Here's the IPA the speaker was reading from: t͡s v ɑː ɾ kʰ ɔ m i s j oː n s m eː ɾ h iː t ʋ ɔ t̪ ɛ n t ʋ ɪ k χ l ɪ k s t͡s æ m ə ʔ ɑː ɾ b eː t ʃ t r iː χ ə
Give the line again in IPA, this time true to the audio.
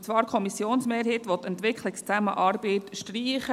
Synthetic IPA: t͡s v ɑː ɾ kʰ ɔ m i s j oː n s m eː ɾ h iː t ʋ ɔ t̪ ɛ n t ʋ ɪ k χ l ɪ k s t͡s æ m ə ʔ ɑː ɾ b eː t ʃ t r iː χ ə